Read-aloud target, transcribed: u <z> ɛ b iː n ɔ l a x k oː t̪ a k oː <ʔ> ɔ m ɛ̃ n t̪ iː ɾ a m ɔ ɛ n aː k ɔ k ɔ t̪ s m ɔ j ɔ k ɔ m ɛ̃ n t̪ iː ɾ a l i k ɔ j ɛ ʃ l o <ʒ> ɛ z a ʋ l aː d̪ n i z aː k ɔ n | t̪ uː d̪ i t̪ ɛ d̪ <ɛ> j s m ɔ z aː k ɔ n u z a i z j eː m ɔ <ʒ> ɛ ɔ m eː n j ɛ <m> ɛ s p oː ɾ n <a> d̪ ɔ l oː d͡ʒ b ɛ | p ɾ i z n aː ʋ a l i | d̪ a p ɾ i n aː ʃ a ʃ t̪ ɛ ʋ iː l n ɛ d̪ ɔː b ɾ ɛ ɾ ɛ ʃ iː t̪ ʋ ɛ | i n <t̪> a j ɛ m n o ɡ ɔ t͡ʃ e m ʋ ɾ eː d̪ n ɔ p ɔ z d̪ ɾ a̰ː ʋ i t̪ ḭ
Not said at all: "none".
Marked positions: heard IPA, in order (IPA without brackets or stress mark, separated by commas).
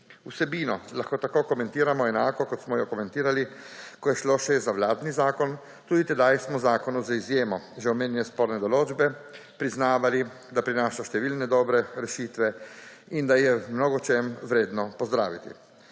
s, k, ʃ, a, ʒ, n, ɛ, d̪